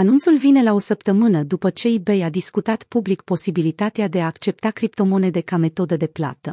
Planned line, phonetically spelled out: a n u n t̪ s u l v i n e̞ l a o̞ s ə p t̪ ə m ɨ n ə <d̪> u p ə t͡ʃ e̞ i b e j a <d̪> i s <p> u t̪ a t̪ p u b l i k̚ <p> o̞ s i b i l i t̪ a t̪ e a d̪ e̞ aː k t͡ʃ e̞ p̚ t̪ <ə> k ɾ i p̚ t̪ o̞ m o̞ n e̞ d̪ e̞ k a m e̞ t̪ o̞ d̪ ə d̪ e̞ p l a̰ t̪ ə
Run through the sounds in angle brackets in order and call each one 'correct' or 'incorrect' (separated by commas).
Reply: correct, correct, incorrect, correct, incorrect